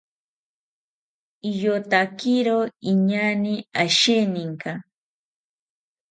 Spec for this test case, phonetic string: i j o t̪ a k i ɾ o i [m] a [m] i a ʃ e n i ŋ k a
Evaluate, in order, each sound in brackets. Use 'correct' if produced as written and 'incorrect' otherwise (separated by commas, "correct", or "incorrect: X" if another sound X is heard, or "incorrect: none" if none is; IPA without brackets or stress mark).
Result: incorrect: ɲ, incorrect: n